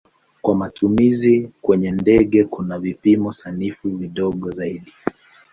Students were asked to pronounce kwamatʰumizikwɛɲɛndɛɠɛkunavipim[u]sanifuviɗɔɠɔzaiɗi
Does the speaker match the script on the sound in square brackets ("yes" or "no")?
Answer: no